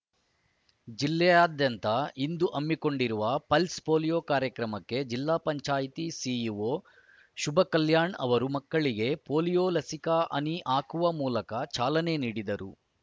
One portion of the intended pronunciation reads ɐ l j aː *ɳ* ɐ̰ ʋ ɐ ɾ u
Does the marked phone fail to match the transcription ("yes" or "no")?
no